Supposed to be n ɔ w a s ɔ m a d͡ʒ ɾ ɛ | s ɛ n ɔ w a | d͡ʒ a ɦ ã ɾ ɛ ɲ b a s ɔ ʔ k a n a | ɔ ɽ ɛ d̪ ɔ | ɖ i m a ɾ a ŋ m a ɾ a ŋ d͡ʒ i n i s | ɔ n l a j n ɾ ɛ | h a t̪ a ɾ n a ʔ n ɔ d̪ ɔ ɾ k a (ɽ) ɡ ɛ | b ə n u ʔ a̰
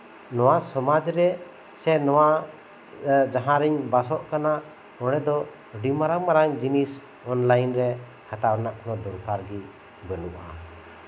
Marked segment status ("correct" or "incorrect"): incorrect